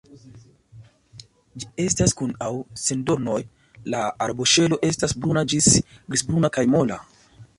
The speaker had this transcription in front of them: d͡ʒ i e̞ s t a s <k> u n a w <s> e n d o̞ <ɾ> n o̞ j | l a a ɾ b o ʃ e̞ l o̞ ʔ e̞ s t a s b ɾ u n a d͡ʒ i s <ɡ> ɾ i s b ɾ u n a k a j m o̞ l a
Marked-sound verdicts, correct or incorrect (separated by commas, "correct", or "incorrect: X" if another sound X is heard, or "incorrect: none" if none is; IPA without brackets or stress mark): correct, correct, correct, correct